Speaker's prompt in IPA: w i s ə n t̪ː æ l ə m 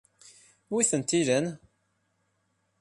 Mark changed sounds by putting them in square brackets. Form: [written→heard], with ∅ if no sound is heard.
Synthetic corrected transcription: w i [s→θ] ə n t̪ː [æ→i] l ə [m→n]